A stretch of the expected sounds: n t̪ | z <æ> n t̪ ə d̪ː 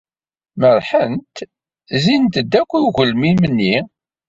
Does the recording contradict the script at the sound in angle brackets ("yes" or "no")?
yes